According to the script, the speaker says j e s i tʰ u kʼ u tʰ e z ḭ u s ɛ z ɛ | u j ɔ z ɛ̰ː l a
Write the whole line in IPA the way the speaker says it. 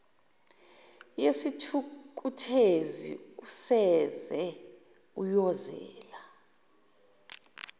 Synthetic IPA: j e s i tʰ u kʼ u tʰ e z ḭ u s ɛ z ɛ | u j ɔ z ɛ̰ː l a